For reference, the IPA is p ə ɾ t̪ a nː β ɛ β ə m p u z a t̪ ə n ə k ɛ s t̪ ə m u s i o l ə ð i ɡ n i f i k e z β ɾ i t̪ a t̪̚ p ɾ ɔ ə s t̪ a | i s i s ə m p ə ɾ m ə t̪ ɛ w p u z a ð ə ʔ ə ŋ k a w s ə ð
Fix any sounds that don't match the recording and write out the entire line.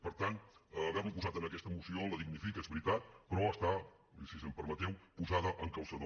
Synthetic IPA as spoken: p ə ɾ t̪ a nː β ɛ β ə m p u z a t̪ ə n ə k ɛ s t̪ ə m u s i o l ə ð i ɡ n i f i k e z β ɾ i t̪ a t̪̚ p ɾ ɔ ə s t̪ a | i s i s ə m p ə ɾ m ə t̪ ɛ w p u z a ð ə ʔ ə ŋ k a w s ə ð